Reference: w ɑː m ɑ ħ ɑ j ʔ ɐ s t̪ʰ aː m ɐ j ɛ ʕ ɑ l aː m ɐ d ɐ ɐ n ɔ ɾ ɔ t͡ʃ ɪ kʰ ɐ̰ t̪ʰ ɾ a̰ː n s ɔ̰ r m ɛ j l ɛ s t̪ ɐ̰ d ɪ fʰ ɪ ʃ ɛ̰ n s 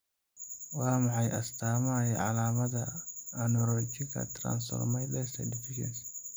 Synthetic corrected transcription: w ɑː m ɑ ħ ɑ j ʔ ɐ s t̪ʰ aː m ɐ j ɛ ʕ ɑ l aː m ɐ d ɐ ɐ n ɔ ɾ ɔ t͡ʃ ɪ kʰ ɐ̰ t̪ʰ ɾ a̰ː n s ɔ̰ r m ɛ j l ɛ s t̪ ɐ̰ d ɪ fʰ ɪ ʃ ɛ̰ n s